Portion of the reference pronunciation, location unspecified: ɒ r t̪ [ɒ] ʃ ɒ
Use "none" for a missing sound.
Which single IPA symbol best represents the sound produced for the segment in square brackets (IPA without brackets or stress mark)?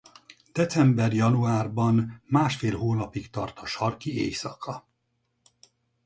ɒ